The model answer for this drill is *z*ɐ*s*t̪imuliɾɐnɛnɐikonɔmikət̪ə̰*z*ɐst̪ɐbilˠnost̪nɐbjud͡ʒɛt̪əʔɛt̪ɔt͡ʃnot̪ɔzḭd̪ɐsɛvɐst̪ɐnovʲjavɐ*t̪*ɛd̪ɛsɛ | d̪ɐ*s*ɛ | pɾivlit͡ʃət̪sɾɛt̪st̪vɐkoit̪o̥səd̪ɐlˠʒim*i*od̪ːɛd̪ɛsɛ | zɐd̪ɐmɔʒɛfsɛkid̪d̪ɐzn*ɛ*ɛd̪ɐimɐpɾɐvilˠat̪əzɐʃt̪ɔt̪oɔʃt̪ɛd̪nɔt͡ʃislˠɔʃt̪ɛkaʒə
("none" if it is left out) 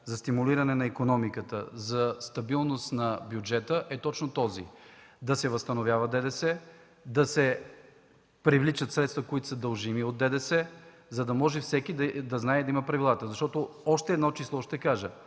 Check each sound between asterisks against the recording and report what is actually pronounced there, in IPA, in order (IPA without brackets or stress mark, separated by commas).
z, s, z, d̪, s, i, a